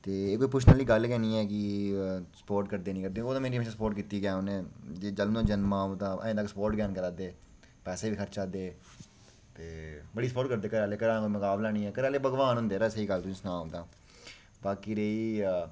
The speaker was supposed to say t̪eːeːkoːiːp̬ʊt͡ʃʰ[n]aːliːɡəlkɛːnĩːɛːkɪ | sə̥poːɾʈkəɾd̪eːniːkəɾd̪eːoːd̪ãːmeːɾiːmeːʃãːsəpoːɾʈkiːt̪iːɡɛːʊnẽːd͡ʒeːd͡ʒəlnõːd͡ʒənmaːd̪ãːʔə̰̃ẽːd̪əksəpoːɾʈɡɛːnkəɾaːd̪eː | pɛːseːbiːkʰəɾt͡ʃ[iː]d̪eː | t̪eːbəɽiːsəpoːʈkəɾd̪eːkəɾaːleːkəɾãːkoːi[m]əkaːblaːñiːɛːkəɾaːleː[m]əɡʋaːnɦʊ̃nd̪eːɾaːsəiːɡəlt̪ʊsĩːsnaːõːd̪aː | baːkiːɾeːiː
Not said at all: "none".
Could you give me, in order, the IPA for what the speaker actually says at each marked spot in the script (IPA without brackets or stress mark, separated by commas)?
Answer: n, aː, m, b